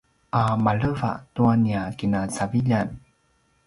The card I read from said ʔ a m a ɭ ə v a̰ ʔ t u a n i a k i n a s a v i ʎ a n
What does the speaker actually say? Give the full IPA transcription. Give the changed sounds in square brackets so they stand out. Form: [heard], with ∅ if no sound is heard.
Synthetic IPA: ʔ a m a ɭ ə v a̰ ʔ t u a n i a k i n a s a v i ʎ a n